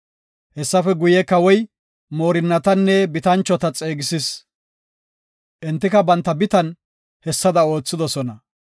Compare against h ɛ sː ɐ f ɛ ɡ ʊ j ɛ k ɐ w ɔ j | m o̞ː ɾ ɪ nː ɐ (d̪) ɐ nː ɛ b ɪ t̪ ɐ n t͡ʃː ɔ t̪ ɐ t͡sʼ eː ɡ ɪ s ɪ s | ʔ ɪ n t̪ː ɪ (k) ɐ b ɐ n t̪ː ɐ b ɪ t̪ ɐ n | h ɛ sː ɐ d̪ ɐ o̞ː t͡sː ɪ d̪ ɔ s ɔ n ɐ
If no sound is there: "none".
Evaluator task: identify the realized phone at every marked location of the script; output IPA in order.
t̪, k

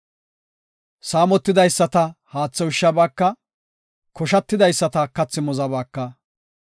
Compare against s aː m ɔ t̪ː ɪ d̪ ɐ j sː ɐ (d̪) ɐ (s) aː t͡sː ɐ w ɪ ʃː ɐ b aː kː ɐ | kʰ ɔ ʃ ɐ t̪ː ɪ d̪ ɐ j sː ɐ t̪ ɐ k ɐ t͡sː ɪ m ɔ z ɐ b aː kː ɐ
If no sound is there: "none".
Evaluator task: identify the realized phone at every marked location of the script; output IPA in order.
t̪, h

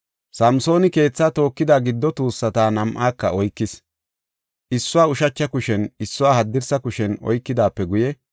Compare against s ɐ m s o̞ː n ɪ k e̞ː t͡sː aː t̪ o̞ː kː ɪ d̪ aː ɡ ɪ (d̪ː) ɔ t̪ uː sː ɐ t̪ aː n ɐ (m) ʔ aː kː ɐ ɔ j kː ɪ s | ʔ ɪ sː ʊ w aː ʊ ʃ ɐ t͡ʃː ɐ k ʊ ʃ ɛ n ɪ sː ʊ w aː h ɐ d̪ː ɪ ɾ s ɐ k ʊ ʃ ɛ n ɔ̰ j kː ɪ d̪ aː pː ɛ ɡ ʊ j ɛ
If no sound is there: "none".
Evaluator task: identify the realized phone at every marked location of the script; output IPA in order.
d̪ː, m

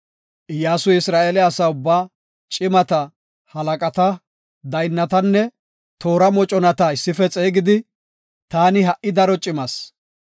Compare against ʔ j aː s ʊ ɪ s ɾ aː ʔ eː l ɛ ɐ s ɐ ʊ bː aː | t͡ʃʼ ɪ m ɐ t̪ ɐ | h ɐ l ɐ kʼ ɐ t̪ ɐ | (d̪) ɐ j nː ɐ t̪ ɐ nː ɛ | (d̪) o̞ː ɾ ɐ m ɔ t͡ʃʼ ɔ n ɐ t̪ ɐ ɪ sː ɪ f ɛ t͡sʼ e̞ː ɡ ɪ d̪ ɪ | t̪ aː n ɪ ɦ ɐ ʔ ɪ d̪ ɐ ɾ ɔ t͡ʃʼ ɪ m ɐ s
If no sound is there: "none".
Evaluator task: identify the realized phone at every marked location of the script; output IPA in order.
d̪, t̪

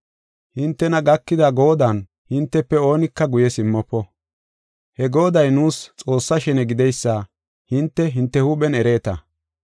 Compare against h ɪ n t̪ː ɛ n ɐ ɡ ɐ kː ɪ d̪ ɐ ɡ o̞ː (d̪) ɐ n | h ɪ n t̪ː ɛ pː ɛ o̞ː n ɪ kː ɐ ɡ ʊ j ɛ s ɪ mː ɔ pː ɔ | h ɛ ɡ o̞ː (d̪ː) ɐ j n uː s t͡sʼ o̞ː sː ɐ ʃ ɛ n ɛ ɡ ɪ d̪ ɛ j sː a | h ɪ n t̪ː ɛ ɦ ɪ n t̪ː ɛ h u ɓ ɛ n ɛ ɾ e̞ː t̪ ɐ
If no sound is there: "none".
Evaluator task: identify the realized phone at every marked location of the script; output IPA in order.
d̪, d̪

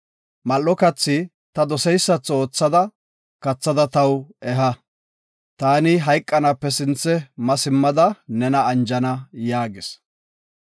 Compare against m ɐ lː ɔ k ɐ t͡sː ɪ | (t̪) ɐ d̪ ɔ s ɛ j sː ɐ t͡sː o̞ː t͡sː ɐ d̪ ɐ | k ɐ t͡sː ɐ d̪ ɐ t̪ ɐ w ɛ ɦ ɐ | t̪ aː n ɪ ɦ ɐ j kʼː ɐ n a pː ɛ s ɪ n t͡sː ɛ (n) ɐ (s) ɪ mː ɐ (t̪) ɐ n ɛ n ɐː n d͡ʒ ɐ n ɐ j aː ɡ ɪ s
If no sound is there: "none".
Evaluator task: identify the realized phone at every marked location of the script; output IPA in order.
t̪, m, s, d̪

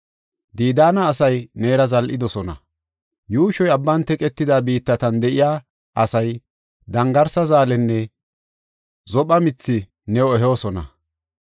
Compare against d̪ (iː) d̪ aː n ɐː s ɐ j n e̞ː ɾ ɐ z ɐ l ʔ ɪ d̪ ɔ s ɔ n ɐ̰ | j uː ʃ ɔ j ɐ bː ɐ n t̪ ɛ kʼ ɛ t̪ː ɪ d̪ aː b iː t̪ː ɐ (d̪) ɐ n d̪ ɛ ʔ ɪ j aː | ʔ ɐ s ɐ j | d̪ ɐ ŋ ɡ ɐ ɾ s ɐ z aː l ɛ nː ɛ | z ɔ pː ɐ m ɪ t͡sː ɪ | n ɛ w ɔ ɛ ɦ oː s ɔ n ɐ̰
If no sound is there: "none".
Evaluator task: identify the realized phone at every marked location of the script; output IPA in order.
iː, t̪

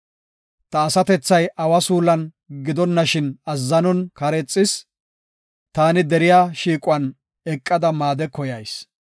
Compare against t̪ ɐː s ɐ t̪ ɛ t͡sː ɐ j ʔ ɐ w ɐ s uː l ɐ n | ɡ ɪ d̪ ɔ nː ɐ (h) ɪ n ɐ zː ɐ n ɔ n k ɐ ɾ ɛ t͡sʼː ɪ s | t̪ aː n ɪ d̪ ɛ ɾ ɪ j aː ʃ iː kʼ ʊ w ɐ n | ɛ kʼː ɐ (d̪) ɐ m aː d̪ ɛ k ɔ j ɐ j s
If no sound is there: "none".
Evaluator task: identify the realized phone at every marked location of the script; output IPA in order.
ʃ, d̪

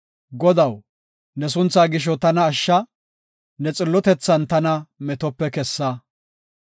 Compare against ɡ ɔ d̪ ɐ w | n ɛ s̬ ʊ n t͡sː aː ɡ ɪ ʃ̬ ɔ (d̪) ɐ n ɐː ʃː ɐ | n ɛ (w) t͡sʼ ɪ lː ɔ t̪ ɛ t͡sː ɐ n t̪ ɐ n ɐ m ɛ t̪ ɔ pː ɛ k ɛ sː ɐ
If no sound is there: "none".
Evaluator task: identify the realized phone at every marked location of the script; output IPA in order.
t̪, none

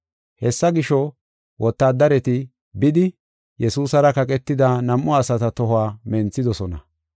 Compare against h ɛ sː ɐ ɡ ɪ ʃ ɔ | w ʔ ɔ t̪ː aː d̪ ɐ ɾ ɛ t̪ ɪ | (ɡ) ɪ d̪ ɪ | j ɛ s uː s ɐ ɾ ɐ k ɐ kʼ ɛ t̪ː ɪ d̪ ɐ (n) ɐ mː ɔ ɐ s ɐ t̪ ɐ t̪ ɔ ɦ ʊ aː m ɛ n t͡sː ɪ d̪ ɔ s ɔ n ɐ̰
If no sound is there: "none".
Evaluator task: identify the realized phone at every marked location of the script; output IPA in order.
b, n

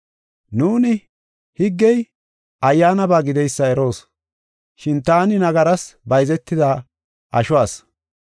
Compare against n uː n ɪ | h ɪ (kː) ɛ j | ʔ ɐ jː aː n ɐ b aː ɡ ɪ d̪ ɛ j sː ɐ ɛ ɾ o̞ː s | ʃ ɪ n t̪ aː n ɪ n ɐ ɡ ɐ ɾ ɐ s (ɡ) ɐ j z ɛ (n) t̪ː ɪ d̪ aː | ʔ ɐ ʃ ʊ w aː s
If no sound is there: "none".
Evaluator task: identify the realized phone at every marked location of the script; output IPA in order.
ɡː, b, none

